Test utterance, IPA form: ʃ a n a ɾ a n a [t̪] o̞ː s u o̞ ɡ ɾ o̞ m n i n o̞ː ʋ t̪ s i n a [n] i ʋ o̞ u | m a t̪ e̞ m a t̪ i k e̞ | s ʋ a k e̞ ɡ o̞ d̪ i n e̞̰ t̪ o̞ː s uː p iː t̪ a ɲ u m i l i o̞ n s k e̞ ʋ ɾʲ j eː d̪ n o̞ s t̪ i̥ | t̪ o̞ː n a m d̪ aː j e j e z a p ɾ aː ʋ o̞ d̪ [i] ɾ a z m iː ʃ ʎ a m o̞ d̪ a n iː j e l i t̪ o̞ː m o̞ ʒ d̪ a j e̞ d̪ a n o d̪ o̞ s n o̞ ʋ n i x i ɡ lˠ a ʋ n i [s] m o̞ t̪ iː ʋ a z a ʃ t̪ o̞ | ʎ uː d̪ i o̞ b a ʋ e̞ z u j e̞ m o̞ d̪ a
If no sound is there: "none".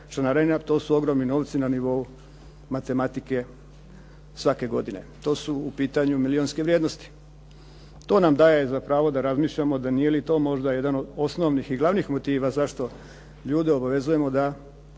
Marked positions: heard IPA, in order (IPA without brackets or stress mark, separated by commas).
t̪, n, a, x